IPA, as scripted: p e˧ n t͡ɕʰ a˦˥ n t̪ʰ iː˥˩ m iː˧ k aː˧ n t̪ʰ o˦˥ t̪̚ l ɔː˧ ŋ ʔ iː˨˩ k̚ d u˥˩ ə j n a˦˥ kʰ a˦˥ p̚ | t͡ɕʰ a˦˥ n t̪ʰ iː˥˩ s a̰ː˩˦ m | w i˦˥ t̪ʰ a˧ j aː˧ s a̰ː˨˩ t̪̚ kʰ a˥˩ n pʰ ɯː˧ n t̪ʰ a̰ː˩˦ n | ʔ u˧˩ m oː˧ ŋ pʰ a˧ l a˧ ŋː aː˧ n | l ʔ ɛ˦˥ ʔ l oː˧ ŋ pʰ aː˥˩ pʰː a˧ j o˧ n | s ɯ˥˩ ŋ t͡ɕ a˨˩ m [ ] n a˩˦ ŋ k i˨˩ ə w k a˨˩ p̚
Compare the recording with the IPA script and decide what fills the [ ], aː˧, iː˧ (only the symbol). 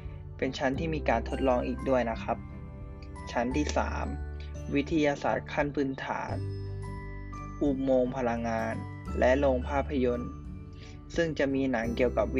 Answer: iː˧